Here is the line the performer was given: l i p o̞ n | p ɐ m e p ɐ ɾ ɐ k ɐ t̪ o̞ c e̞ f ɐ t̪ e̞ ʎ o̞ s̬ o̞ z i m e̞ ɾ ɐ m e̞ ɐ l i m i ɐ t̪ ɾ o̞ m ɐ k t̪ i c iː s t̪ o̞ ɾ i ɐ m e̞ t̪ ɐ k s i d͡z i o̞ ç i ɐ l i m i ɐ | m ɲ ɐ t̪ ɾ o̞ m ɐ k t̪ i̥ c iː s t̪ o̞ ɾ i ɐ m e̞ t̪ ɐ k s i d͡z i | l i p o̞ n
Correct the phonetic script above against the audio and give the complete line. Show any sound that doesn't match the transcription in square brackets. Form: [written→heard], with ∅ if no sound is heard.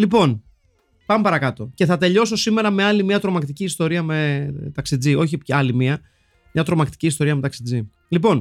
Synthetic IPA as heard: l i p o̞ n | p ɐ m e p ɐ ɾ ɐ k ɐ t̪ o̞ c e̞ [f→θ] ɐ t̪ e̞ ʎ o̞ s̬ o̞ [z→s] i m e̞ ɾ ɐ m e̞ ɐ l i m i ɐ t̪ ɾ o̞ m ɐ k t̪ i c iː s t̪ o̞ ɾ i ɐ m e̞ t̪ ɐ k s i d͡z i o̞ ç i ɐ l i m i ɐ | m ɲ ɐ t̪ ɾ o̞ m ɐ k t̪ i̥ c iː s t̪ o̞ ɾ i ɐ m e̞ t̪ ɐ k s i d͡z i | l i p o̞ n